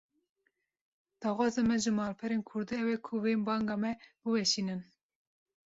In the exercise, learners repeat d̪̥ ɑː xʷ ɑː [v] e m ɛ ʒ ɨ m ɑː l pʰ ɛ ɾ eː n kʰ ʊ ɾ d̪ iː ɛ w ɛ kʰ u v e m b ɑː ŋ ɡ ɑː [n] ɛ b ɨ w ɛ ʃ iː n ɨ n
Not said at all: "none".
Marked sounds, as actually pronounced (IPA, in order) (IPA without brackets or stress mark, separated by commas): z, m